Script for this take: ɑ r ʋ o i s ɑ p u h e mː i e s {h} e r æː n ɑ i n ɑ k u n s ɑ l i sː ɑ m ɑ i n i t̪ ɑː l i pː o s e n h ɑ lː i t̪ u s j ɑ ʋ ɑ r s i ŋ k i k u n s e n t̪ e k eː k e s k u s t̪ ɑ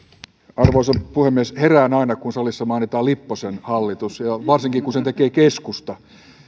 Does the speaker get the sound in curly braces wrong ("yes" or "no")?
no